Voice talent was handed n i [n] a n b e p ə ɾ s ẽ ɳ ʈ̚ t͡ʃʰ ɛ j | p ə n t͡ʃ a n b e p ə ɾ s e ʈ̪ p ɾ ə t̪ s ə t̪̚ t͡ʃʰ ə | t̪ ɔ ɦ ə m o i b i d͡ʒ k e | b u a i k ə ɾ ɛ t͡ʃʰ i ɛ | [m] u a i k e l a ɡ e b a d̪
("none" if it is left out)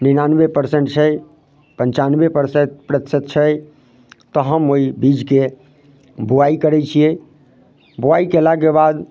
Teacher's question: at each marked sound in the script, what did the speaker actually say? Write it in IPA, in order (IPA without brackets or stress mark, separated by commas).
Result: n, b